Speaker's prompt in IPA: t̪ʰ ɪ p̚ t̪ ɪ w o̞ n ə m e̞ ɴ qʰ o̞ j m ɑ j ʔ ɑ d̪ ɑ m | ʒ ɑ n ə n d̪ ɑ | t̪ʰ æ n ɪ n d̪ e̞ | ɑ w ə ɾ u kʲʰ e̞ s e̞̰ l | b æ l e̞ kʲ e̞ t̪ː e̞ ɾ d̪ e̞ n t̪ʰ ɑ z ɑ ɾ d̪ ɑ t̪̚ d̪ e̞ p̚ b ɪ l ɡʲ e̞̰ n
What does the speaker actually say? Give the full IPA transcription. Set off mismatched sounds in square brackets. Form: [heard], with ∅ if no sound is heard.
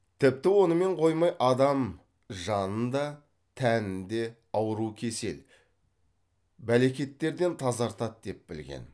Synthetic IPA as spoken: t̪ʰ ɪ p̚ t̪ ɪ w o̞ n ə m e̞ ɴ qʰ o̞ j m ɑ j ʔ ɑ d̪ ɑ m | ʒ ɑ n ə n d̪ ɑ | t̪ʰ æ n ɪ n d̪ e̞ | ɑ w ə ɾ u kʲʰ e̞ s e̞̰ l | b æ l e̞ kʲ e̞ t̪ː e̞ ɾ d̪ e̞ n t̪ʰ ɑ z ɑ ɾ [t̪] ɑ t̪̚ d̪ e̞ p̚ b ɪ l ɡʲ e̞̰ n

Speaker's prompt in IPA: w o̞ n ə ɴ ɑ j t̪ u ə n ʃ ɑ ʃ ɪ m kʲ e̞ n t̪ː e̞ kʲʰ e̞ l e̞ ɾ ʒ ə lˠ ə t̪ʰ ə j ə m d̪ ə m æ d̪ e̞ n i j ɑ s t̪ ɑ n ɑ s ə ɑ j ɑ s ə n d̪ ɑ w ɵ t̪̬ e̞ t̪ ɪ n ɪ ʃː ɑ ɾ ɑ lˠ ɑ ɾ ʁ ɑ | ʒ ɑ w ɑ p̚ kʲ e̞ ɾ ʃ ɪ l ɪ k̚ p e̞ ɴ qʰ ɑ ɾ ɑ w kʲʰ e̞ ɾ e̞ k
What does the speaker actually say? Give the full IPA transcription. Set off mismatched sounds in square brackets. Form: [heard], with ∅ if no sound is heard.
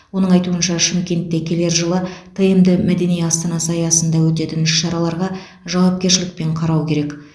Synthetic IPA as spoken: w o̞ n ə ɴ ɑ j t̪ u ə n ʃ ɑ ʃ ɪ m kʲ e̞ n t̪ː e̞ kʲʰ e̞ l e̞ ɾ ʒ ə lˠ ə t̪ʰ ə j ə m d̪ ə m æ d̪ e̞ n i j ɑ s t̪ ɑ n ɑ s ə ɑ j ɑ s ə n d̪ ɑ w ɵ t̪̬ e̞ t̪ ɪ n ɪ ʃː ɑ ɾ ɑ lˠ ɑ ɾ ʁ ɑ | ʒ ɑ w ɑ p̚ kʲ e̞ ɾ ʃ ɪ l ɪ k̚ p e̞ ɴ qʰ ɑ ɾ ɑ w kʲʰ e̞ ɾ e̞ k

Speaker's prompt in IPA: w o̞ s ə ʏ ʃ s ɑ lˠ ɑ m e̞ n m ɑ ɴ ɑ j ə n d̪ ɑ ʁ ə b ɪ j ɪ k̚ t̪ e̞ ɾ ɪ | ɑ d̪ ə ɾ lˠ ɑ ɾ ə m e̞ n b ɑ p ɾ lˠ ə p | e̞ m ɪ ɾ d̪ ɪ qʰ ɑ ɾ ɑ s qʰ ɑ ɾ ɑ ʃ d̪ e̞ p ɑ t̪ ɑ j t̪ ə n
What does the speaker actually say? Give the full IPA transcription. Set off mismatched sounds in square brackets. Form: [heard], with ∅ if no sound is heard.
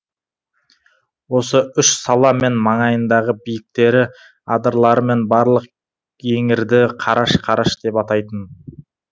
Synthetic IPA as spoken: w o̞ s ə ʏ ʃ s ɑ lˠ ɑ m e̞ n m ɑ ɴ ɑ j ə n d̪ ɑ ʁ ə b [i] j ɪ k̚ t̪ e̞ ɾ ɪ | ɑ d̪ ə ɾ lˠ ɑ ɾ ə m e̞ n b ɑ [∅] ɾ lˠ ə [q] | e̞ [ŋ] ɪ ɾ d̪ ɪ qʰ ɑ ɾ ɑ [ʃ] qʰ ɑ ɾ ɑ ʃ d̪ e̞ p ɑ t̪ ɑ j t̪ ə n

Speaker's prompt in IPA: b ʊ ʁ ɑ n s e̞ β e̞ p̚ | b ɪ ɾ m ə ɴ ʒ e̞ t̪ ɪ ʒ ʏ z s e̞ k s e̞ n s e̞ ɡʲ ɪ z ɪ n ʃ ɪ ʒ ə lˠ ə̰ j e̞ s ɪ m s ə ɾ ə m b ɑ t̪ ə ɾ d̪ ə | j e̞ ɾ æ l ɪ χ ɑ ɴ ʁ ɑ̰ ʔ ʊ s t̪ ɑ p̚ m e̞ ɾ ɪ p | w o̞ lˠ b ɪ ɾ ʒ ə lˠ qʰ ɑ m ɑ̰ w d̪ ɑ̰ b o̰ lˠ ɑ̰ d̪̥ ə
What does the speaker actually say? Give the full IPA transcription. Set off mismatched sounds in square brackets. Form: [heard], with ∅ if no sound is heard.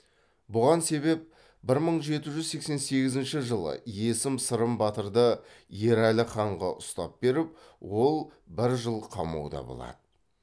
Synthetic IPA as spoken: b ʊ ʁ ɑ n s e̞ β e̞ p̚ | b ɪ ɾ m ə ɴ ʒ e̞ t̪ ɪ ʒ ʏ z s e̞ k s e̞ n s e̞ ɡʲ ɪ z ɪ n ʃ ɪ ʒ ə lˠ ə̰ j e̞ s ɪ m s ə ɾ ə m b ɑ t̪ ə ɾ d̪ ə | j e̞ ɾ æ l ɪ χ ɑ ɴ ʁ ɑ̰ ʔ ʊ s t̪ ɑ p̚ [b] e̞ ɾ ɪ p | w o̞ lˠ b ɪ ɾ ʒ ə lˠ qʰ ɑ m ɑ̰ w d̪ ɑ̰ b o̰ lˠ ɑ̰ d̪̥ ə

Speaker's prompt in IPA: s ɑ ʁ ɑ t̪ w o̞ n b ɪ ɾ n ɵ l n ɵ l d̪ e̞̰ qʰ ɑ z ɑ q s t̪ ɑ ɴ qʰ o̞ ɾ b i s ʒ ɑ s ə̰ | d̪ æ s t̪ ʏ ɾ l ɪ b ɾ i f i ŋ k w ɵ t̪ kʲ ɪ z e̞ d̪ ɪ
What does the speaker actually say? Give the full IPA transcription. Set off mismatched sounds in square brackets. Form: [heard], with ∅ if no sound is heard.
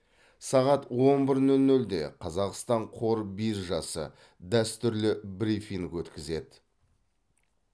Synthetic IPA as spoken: s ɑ ʁ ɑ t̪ w o̞ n b ɪ ɾ n ɵ l n ɵ l d̪ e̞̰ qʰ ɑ z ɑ q s t̪ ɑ ɴ qʰ o̞ ɾ b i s ʒ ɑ s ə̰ | d̪ æ s t̪ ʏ ɾ l ɪ b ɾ i f i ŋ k w ɵ t̪ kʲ ɪ z e̞ d̪ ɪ

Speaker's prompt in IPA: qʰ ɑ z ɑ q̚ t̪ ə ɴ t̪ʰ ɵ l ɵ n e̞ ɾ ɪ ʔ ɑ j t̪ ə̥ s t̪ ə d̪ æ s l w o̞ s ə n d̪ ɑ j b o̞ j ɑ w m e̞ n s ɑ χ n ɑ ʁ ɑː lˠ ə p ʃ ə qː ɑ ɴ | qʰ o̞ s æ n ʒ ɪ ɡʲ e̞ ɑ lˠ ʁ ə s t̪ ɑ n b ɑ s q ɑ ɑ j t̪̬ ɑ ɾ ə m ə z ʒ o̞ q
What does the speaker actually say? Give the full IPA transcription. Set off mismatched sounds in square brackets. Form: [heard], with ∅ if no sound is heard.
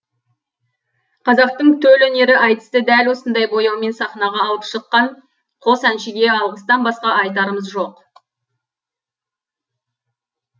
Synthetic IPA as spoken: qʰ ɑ z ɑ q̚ t̪ ə ɴ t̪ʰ ɵ l ɵ n e̞ ɾ ɪ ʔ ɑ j t̪ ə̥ s t̪ ə d̪ æ [∅] l w o̞ s ə n d̪ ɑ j b o̞ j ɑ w m e̞ n s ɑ χ n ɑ ʁ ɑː lˠ ə p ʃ ə qː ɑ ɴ | qʰ o̞ s æ n [ʃ] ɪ ɡʲ e̞ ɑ lˠ ʁ ə s t̪ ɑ n b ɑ s q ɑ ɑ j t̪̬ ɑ ɾ ə m ə z ʒ o̞ q

